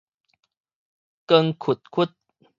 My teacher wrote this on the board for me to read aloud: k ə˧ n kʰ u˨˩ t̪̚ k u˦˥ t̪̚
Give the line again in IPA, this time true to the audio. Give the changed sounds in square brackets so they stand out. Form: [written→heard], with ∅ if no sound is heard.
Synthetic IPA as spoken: k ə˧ [n→ŋ] kʰ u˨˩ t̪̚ [k→kʰ] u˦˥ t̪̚